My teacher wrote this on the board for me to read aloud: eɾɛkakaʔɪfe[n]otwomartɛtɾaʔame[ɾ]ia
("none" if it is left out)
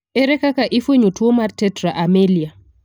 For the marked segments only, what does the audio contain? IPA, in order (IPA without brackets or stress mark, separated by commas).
ɲ, l